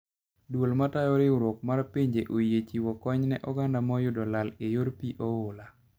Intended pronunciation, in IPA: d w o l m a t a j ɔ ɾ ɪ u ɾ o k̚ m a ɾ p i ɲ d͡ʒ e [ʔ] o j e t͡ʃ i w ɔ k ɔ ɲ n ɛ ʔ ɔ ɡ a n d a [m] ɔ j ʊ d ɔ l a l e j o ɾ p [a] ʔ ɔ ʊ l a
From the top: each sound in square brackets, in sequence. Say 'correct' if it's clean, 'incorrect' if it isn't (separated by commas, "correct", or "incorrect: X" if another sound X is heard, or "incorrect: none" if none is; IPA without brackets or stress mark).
correct, correct, incorrect: i